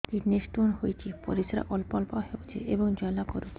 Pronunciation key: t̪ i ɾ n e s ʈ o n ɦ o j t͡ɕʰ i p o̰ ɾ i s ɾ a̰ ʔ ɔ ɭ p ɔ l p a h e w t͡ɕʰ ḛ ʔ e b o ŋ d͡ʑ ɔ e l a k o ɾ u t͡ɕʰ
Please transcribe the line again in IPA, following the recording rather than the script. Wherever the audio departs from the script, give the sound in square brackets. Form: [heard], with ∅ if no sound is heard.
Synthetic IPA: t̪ i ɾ n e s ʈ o n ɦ o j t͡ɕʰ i p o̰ ɾ i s ɾ a̰ ʔ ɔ [l] p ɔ l p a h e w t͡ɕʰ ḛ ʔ e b o ŋ d͡ʑ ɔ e l a k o ɾ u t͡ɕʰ